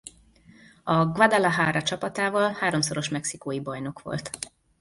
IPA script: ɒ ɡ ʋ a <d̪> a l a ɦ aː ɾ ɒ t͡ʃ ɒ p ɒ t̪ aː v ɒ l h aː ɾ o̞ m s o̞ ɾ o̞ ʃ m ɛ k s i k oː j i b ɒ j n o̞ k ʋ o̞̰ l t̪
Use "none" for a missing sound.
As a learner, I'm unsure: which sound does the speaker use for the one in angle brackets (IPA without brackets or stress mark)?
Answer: d̪